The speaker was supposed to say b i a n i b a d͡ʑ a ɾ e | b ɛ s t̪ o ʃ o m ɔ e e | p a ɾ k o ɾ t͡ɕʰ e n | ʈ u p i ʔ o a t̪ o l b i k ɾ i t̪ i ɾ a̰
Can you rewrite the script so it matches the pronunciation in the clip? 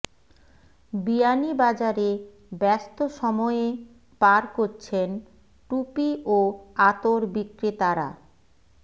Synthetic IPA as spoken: b i a n i b a d͡ʑ a ɾ e | b ɛ s t̪ o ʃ ɔ m ɔ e e | p a ɾ k o ɾ t͡ɕʰ e n | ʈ u p i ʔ o a t̪ o ɾ b i k ɾ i t̪ a ɾ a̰